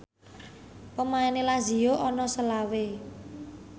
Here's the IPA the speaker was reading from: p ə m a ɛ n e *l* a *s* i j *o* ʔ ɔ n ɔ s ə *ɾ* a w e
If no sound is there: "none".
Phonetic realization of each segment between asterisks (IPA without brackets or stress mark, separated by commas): l, z, o, l